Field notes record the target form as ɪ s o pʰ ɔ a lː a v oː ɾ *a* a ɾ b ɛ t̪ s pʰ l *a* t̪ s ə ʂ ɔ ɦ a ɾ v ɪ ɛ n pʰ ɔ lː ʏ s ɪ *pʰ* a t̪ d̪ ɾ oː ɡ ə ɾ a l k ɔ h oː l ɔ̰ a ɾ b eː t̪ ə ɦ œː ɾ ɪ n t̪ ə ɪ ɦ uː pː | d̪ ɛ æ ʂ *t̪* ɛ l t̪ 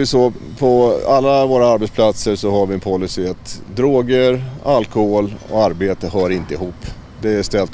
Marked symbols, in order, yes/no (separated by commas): yes, yes, no, yes